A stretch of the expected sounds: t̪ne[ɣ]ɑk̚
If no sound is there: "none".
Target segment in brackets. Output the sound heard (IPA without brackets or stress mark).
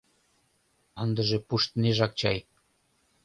ʒ